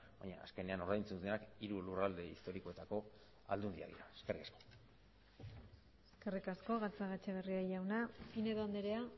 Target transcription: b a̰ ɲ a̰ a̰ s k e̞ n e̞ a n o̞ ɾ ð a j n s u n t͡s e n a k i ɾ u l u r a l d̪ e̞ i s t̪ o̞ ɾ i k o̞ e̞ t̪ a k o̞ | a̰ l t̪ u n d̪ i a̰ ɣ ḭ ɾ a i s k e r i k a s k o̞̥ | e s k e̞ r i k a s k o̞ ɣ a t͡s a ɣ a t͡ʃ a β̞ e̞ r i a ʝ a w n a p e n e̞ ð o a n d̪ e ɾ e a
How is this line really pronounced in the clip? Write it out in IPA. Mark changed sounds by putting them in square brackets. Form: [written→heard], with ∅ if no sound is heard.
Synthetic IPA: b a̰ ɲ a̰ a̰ s k e̞ n e̞ a n o̞ ɾ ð a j n [s→t͡s] u n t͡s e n a k i ɾ u l u r a l d̪ e̞ i s t̪ o̞ ɾ i k o̞ e̞ t̪ a k o̞ | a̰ l [t̪→d̪] u n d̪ i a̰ [ɣ→ð] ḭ ɾ a [i→e] s k e r i k a s k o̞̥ | e s k e̞ r i k a s k o̞ ɣ a t͡s a ɣ a t͡ʃ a β̞ e̞ r i a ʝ a w n a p [e→i] n e̞ ð o a n d̪ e ɾ e a